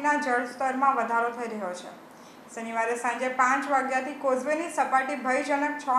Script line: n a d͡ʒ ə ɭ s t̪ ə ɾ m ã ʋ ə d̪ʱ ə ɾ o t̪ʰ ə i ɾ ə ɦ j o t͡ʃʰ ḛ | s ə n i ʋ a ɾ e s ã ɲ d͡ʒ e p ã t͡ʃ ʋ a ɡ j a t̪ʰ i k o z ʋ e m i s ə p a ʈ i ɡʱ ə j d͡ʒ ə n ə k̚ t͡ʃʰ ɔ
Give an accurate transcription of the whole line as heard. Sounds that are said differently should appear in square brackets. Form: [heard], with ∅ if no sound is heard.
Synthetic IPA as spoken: n a d͡ʒ ə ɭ s t̪ ə ɾ m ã ʋ ə d̪ʱ [a] ɾ o t̪ʰ ə i ɾ ə ɦ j o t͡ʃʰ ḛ | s ə n i ʋ a ɾ e s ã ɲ d͡ʒ e p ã t͡ʃ ʋ a ɡ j a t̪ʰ i k o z ʋ e [n] i s ə p a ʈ i [bʱ] ə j d͡ʒ ə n ə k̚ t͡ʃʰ ɔ